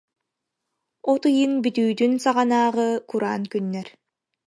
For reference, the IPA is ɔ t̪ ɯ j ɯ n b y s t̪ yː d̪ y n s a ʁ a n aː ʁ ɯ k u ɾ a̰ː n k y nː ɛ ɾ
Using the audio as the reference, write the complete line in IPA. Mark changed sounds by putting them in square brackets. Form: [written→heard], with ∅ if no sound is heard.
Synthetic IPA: ɔ t̪ ɯ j ɯ n b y [s→∅] t̪ yː d̪ y n s a ʁ a n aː ʁ ɯ k u ɾ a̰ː n k y nː ɛ ɾ